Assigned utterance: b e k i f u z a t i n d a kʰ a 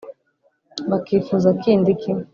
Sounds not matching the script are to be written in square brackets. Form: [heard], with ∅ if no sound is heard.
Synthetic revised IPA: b [a] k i f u z a [k] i n d [i] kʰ [i]